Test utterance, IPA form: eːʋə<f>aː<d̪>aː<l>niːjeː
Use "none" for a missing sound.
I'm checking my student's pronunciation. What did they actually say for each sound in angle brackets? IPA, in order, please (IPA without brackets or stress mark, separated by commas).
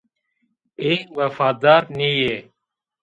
f, d̪, ɾ